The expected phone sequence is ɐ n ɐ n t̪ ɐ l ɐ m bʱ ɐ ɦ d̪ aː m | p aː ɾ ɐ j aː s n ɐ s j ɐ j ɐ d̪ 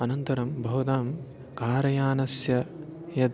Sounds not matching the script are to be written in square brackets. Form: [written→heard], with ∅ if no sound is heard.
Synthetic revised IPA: ɐ n ɐ n t̪ ɐ [l→ɾ] ɐ m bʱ ɐ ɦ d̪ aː m | [p→k] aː ɾ ɐ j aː [s→∅] n ɐ s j ɐ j ɐ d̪